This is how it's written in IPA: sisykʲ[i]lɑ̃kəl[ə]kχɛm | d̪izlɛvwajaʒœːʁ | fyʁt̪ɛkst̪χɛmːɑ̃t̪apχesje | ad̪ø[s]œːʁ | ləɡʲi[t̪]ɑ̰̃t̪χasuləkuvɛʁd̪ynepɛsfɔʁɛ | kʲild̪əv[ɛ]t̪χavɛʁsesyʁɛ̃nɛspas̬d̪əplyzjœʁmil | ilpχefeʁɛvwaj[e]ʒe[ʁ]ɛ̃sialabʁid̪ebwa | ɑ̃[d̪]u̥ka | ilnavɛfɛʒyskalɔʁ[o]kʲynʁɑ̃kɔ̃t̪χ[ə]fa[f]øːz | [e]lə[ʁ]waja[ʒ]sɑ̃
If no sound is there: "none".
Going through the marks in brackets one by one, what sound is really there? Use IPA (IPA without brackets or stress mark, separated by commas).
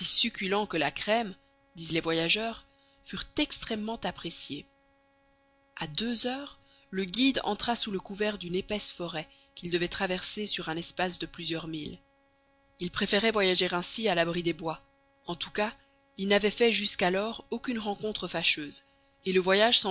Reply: y, a, z, d̪, ɛ, a, ʁ, t̪, o, ə, ʃ, e, v, ʒ